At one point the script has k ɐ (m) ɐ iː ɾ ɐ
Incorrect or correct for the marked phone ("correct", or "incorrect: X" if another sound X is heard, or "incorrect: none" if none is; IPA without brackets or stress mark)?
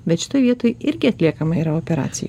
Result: correct